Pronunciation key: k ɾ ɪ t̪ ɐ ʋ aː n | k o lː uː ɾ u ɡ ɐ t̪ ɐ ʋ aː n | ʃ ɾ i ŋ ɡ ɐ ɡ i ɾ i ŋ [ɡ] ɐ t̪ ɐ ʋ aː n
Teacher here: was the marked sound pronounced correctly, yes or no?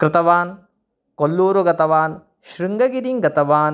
yes